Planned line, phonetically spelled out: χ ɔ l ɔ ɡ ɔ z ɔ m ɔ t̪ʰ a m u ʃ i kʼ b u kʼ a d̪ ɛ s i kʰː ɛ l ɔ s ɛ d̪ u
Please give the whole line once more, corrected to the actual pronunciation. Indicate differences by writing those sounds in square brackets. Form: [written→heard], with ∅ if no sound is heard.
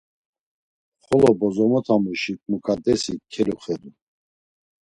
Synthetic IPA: χ ɔ l ɔ [ɡ→b] ɔ z ɔ m ɔ t̪ʰ a m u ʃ i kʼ [b→m] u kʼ a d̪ ɛ s i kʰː ɛ l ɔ [s→χ] ɛ d̪ u